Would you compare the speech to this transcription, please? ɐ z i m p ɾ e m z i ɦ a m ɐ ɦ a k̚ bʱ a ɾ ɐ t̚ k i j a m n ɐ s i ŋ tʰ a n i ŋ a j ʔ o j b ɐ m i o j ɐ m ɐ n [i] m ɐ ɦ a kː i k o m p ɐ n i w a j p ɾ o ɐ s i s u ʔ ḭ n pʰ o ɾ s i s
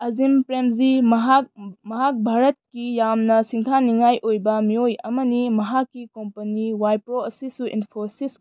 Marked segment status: correct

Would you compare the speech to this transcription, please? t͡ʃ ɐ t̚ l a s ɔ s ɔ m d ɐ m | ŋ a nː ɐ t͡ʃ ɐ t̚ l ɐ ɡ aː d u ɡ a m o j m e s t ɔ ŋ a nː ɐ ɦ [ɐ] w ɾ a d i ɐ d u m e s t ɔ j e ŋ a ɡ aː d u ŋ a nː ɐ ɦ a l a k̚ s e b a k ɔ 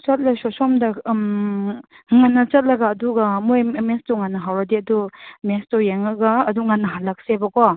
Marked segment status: incorrect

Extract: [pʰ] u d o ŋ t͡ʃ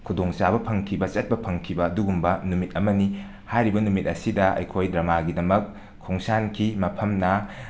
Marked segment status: incorrect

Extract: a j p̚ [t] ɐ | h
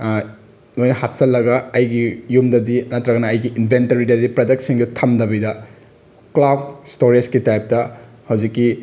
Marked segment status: correct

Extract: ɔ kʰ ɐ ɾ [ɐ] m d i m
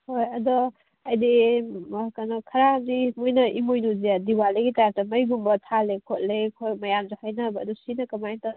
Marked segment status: incorrect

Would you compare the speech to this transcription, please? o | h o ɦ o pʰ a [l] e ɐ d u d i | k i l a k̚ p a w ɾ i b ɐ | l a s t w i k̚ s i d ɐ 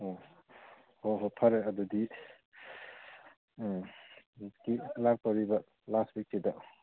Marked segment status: incorrect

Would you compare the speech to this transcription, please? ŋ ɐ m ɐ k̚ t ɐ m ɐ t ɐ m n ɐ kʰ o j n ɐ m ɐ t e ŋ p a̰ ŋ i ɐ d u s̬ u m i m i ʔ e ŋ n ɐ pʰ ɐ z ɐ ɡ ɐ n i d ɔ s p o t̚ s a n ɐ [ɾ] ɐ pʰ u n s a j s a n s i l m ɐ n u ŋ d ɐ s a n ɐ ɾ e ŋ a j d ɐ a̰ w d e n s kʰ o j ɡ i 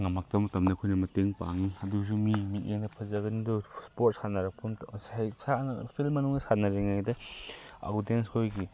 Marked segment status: correct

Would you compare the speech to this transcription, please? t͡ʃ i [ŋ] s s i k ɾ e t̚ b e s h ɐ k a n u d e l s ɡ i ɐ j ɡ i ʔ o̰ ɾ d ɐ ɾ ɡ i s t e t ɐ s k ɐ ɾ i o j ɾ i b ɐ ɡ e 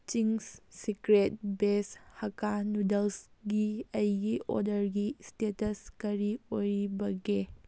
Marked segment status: correct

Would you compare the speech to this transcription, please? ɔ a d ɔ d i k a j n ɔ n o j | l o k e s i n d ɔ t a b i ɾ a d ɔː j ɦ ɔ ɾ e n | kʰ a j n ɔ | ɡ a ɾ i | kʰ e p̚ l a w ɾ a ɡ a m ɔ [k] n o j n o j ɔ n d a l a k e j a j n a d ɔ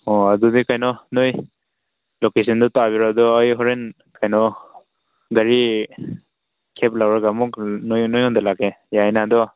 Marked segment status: correct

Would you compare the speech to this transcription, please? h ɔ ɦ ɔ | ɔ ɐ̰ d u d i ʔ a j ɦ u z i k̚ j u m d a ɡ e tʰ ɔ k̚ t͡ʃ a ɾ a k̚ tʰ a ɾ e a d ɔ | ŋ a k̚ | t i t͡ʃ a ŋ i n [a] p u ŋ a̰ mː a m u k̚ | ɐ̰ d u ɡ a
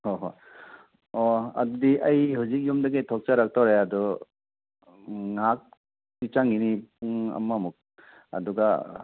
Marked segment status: incorrect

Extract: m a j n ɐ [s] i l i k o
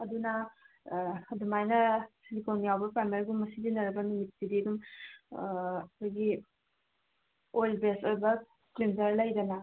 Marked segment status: correct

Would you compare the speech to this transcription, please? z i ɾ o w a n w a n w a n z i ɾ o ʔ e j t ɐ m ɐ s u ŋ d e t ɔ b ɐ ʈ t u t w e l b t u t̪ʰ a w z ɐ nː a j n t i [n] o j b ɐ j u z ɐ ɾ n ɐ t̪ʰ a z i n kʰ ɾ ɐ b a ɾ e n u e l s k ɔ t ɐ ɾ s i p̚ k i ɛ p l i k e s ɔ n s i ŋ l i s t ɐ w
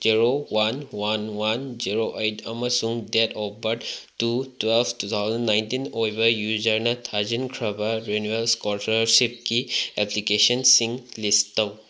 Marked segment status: correct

